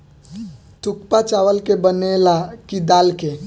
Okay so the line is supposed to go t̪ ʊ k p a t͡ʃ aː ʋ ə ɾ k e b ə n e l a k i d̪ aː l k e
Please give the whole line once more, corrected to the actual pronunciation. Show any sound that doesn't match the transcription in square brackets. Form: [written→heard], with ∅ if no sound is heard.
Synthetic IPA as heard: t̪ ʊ k p a t͡ʃ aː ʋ ə [ɾ→l] k e b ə n e l a k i d̪ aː l k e